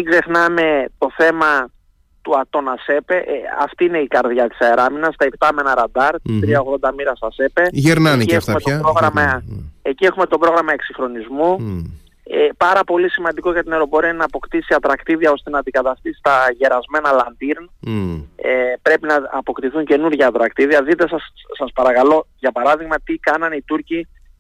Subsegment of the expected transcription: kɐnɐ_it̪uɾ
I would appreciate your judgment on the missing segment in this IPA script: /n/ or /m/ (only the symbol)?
n